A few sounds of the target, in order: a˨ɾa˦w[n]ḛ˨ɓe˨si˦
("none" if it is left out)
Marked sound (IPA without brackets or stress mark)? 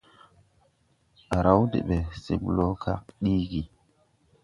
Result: d